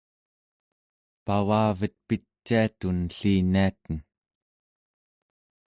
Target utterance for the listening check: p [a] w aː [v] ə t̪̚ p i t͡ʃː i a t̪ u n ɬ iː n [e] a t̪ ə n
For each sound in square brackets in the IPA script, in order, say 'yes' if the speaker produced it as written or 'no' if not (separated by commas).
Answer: yes, yes, no